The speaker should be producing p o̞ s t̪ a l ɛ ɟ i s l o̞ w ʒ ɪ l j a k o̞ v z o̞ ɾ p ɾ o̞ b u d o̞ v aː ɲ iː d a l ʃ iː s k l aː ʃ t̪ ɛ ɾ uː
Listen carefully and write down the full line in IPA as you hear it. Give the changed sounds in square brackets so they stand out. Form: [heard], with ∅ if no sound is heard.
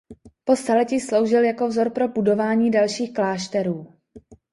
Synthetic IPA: p o̞ s t̪ a l ɛ [c] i s l o̞ w ʒ ɪ l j a k o̞ v z o̞ ɾ p ɾ o̞ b u d o̞ v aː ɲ iː d a l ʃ iː [x] k l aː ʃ t̪ ɛ ɾ uː